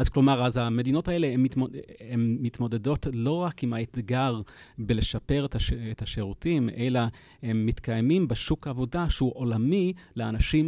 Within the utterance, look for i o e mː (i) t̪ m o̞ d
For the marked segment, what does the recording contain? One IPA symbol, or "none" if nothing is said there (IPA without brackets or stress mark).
i